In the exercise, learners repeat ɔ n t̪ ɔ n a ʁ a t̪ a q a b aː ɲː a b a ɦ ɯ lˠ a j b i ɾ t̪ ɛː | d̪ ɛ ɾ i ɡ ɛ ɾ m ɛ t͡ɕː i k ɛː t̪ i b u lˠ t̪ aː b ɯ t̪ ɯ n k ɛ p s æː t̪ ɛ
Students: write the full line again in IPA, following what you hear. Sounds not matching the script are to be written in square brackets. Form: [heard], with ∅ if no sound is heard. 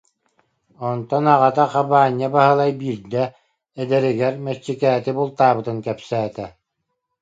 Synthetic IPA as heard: ɔ n t̪ ɔ n a ʁ a t̪ a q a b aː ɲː a b a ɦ ɯ lˠ a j b i ɾ [d̪] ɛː | d̪ ɛ ɾ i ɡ ɛ ɾ m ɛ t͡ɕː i k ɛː t̪ i b u lˠ t̪ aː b ɯ t̪ ɯ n k ɛ p s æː t̪ ɛ